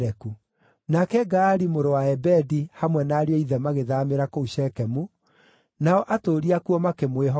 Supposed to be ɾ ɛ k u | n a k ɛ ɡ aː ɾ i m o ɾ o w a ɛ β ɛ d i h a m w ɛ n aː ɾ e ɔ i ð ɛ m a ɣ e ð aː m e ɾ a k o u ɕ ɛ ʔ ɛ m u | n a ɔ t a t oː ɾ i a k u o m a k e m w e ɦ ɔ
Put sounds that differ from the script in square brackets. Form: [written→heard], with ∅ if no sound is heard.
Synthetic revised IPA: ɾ ɛ k u | n a k ɛ ɡ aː ɾ i m o ɾ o w a ɛ [β→b] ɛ d i h a m w ɛ n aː ɾ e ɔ i ð ɛ m a ɣ e ð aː m e ɾ a k o u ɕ ɛ [ʔ→k] ɛ m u | n a ɔ [t→ʔ] a t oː ɾ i a k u [o→ɔ] m a k e m w e ɦ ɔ